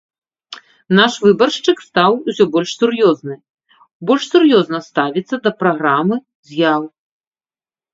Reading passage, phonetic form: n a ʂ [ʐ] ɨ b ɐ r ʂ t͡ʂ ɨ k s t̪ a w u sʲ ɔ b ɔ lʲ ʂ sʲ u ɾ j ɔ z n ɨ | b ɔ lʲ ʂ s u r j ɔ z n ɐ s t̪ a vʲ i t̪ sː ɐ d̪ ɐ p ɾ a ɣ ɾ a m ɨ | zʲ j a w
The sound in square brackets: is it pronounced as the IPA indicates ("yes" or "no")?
no